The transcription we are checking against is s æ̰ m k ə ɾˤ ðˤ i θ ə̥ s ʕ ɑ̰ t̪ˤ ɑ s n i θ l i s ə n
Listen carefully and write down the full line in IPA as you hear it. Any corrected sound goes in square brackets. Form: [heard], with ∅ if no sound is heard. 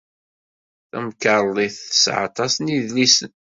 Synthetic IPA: [θ] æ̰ m k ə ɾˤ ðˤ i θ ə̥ s ʕ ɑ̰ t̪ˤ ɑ s n i [ð] l i s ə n